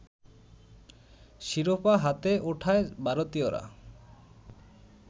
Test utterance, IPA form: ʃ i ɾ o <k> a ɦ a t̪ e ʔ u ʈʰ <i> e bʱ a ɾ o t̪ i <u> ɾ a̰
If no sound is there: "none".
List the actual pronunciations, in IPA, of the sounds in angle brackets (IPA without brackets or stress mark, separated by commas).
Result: p, a, o